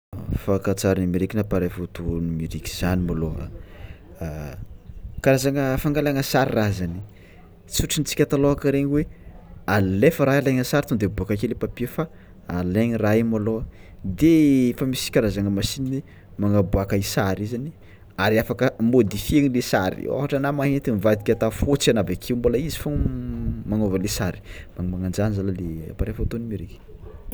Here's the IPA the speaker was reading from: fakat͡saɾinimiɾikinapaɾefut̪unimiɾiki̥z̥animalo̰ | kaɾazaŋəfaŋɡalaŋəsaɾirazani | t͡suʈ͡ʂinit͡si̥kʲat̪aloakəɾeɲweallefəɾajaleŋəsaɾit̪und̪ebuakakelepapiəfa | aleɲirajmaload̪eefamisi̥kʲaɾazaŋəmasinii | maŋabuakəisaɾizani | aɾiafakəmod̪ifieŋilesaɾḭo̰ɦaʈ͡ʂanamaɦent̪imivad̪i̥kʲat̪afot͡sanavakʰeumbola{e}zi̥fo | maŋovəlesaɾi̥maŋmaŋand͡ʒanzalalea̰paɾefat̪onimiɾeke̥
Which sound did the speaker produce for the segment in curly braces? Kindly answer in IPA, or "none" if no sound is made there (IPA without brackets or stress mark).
i